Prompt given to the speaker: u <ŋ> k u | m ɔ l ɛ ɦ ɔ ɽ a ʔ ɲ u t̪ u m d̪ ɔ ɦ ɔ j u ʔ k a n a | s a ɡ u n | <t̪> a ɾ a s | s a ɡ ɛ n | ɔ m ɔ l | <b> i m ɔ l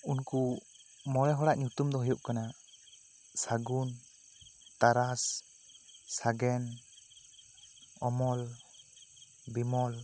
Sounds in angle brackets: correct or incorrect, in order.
incorrect: n, correct, correct

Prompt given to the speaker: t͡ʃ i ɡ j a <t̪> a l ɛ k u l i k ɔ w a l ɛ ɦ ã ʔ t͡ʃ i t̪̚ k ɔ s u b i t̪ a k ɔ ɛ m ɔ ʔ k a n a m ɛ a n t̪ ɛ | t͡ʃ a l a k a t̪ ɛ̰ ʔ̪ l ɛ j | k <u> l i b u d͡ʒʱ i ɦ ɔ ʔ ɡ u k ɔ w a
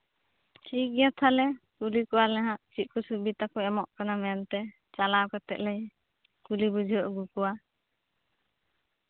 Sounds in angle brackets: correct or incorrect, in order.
incorrect: t̪ʰ, correct

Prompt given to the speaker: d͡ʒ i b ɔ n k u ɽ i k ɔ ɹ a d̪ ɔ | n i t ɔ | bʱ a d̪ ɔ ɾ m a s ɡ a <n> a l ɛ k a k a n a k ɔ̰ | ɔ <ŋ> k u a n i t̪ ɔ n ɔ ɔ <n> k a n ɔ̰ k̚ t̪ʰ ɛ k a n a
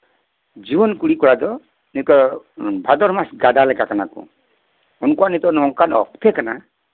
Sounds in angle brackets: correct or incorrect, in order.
incorrect: d, incorrect: n, incorrect: ŋ

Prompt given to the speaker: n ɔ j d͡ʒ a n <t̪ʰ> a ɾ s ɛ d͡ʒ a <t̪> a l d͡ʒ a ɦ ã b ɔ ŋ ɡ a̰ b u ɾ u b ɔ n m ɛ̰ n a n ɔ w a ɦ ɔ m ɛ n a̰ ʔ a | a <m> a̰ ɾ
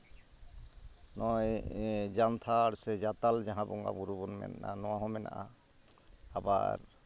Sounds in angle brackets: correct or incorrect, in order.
correct, correct, incorrect: b

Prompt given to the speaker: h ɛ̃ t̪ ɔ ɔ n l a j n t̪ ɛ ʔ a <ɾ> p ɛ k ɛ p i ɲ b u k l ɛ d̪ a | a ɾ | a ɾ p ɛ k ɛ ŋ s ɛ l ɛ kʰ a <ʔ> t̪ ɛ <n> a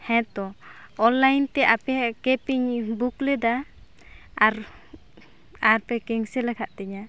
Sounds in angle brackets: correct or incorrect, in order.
incorrect: none, correct, incorrect: ɲ

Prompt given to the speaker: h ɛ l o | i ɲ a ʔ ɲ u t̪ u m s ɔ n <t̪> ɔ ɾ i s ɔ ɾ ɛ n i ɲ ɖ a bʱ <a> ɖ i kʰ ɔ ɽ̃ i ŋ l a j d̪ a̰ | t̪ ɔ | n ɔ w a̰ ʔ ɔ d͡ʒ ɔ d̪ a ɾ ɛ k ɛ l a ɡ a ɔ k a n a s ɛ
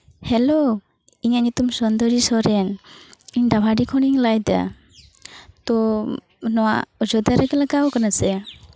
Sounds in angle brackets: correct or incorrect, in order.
incorrect: d̪, correct

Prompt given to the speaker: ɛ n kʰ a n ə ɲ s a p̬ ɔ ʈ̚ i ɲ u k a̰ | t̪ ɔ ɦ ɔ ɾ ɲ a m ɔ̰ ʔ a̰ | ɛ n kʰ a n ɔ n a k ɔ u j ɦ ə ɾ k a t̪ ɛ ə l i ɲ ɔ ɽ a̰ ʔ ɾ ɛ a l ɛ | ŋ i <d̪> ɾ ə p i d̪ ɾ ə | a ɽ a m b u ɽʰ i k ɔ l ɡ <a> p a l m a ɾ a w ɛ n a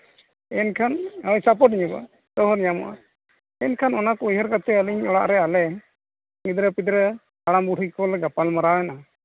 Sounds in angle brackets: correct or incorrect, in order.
correct, correct

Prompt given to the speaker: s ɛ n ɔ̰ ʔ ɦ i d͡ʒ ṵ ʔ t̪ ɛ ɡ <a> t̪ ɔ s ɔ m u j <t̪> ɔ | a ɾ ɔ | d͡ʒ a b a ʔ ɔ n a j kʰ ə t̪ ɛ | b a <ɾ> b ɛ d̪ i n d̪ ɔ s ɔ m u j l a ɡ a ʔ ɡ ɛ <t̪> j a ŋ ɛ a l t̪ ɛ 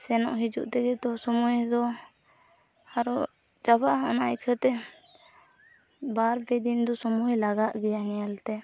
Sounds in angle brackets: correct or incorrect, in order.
incorrect: ɛ, incorrect: d̪, correct, incorrect: none

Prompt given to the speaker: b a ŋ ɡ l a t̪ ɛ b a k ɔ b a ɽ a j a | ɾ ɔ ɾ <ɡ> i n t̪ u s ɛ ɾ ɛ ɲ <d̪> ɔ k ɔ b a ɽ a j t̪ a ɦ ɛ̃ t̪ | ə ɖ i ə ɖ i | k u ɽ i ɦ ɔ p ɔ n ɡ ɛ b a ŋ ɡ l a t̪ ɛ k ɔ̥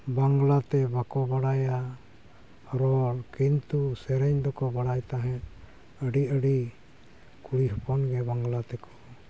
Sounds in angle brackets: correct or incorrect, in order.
incorrect: k, correct

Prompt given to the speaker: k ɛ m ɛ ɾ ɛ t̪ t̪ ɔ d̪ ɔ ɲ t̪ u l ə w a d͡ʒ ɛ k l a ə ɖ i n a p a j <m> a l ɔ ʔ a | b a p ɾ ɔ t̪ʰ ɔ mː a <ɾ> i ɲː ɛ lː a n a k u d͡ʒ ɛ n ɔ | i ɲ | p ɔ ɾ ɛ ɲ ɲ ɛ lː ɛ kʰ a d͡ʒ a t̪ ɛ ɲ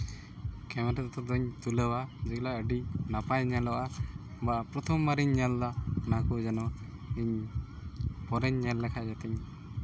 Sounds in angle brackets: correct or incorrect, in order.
incorrect: ɲ, correct

